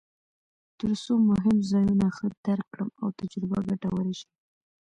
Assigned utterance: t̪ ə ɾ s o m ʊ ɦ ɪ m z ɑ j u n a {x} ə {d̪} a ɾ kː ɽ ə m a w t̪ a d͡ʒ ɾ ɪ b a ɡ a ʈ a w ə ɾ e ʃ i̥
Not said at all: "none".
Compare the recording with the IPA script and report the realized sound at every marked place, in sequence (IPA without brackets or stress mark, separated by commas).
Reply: x, d̪